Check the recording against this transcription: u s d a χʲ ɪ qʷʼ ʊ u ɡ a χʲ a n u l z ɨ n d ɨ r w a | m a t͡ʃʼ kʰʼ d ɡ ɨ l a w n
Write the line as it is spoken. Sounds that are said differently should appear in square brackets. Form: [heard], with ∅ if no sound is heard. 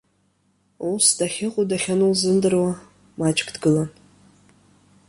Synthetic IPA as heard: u s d a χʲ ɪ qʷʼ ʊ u [d] a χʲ a n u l z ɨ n d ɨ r w a | m a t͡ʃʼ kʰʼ d ɡ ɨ l a [∅] n